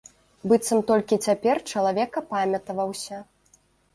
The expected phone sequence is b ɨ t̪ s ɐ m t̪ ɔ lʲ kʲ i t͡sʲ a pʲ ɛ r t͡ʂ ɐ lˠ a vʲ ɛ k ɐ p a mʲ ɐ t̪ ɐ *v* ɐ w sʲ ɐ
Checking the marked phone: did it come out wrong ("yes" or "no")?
no